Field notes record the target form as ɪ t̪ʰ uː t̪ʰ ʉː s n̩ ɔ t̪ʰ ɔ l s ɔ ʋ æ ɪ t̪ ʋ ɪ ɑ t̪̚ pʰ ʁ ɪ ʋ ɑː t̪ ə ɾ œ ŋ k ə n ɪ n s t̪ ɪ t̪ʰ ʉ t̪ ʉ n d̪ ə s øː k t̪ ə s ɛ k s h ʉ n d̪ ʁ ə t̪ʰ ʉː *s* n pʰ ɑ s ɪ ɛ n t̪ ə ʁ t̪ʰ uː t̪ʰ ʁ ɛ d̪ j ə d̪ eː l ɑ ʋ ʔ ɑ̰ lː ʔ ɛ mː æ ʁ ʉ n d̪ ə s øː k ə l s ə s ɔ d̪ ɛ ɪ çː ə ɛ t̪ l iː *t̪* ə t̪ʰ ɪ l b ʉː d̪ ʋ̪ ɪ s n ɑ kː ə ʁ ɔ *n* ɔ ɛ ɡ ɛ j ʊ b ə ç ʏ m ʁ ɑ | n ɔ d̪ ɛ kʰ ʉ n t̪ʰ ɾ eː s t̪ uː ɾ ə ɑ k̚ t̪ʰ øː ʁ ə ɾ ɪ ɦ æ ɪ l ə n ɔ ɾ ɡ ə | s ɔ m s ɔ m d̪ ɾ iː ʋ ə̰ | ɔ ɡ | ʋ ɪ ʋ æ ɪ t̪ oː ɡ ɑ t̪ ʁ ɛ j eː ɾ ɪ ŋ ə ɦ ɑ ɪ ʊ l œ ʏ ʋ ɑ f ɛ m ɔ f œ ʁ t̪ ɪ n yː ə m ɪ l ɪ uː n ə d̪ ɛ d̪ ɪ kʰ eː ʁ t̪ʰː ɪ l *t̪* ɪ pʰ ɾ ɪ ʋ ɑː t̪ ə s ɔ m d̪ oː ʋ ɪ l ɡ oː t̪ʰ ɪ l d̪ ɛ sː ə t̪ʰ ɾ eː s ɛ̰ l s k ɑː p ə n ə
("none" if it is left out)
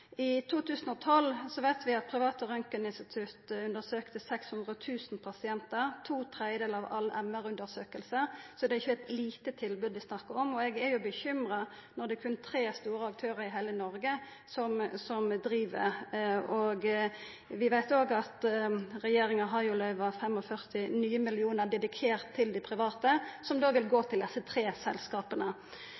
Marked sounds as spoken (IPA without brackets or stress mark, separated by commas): s, t̪, m, d̪